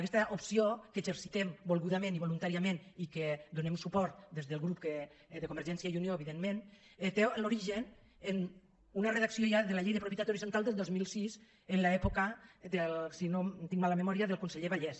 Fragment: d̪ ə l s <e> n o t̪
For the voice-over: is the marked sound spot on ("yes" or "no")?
no